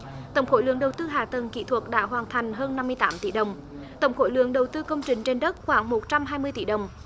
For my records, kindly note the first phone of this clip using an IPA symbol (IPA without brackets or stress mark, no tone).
t̪